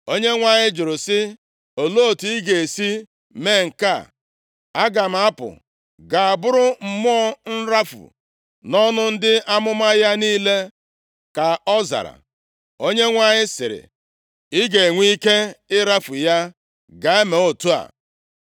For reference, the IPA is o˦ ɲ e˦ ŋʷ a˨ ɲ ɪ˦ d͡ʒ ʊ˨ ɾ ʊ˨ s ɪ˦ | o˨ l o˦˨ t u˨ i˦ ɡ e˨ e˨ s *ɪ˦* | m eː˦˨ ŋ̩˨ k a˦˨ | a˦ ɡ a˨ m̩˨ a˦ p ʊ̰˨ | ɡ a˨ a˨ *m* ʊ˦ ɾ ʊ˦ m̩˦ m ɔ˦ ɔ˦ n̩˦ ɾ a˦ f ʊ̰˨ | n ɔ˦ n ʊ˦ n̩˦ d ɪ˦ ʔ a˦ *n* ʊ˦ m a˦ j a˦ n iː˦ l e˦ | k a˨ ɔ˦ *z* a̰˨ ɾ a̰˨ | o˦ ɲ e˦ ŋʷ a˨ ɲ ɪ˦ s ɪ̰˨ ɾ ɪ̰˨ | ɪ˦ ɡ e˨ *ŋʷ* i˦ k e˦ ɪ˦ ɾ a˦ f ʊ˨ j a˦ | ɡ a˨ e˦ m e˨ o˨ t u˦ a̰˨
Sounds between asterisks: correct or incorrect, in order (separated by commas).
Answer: incorrect, incorrect, incorrect, correct, correct